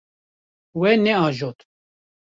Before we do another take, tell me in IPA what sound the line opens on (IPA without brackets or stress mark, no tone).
w